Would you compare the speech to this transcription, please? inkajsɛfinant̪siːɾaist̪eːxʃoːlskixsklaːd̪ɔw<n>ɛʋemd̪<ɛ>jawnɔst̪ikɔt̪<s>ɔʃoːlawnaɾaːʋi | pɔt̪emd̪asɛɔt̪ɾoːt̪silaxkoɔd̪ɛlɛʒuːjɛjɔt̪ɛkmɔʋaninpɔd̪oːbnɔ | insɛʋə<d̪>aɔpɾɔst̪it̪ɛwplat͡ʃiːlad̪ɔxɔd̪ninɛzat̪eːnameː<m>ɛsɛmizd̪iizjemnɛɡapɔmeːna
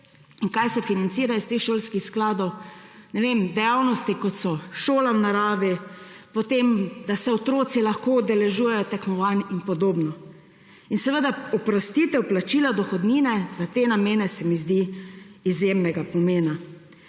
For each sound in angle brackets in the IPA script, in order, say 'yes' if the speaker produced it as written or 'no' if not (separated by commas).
yes, yes, yes, yes, no